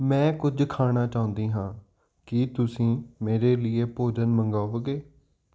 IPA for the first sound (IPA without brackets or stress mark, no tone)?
m